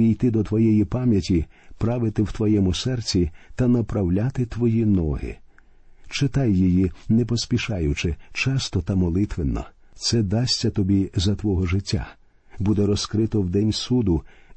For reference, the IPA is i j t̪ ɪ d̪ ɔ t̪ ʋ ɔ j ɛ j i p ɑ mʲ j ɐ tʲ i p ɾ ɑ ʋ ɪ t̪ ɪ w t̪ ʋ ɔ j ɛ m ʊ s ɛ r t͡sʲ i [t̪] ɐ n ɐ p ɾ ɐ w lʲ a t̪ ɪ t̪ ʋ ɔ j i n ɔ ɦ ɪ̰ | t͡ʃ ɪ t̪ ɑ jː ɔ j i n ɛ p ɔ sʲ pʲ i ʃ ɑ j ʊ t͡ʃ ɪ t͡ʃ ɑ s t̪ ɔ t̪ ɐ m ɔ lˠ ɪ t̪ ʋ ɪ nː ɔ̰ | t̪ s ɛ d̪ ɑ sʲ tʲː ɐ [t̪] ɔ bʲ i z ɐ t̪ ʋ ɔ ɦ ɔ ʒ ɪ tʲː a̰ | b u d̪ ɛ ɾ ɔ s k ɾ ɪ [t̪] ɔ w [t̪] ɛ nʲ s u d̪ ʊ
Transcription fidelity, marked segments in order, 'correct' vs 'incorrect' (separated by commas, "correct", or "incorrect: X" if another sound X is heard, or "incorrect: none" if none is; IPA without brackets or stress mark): correct, correct, correct, incorrect: d̪